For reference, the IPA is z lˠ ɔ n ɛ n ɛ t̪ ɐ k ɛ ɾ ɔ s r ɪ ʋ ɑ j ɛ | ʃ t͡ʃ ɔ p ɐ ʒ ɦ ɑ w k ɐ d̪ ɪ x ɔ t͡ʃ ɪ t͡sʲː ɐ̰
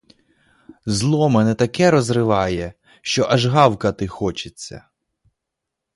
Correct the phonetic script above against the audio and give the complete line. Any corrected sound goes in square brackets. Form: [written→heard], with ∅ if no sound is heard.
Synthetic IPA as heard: z lˠ ɔ [n→m] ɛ n ɛ t̪ ɐ k ɛ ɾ ɔ [s→z] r ɪ ʋ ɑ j ɛ | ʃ t͡ʃ ɔ [p→ʔ] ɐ ʒ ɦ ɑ w k ɐ [d̪→t̪] ɪ x ɔ t͡ʃ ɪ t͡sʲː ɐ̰